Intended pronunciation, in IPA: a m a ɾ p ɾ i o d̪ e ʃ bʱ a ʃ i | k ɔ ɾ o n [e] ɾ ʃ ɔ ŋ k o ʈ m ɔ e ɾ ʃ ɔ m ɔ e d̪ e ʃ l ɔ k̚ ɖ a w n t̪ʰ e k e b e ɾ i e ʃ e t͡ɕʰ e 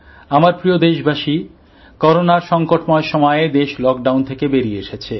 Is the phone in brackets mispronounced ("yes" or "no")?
yes